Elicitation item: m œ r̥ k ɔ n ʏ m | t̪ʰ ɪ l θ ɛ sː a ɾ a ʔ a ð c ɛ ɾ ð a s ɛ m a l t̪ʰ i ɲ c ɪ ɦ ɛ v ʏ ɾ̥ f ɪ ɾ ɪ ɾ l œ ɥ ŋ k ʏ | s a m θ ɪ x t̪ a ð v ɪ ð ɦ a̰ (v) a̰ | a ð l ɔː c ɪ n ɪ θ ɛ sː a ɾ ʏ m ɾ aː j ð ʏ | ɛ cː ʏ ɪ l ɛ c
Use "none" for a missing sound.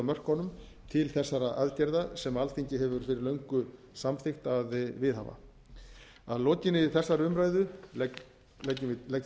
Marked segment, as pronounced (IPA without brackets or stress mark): v